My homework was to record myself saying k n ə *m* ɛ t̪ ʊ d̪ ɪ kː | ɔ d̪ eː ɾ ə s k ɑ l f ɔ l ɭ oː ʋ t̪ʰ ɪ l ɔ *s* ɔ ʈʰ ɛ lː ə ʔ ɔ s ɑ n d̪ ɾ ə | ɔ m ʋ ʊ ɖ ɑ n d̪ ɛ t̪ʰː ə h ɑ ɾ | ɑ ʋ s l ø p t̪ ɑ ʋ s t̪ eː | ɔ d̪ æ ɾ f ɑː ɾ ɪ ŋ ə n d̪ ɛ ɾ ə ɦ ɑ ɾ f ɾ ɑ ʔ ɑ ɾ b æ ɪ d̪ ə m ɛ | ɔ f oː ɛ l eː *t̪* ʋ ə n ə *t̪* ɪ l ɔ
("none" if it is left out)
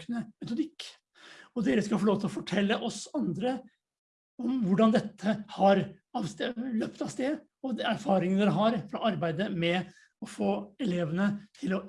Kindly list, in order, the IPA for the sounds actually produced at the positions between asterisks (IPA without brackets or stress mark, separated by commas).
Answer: m, f, none, t̪ʰ